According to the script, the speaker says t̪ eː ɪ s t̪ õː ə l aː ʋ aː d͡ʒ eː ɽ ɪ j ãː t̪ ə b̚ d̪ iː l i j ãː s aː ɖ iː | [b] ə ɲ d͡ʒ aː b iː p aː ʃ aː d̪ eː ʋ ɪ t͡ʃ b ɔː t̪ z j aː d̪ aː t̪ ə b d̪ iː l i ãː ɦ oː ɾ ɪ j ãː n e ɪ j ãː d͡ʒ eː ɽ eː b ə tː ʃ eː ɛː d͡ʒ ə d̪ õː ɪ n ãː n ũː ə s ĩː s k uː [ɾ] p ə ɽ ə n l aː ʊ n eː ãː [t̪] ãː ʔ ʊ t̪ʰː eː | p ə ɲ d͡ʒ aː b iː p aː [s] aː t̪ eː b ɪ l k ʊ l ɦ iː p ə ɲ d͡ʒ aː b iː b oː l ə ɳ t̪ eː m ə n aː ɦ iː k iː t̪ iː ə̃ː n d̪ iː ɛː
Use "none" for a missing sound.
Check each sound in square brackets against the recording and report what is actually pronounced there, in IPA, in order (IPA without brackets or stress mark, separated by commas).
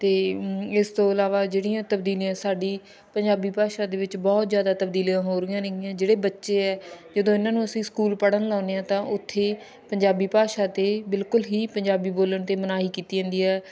p, l, t̪, ʃ